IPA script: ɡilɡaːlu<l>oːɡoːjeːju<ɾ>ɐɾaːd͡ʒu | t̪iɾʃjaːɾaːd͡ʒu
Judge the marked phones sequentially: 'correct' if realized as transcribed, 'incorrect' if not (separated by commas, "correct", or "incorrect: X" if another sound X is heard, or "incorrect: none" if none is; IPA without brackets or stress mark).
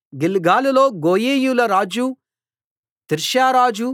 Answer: correct, incorrect: l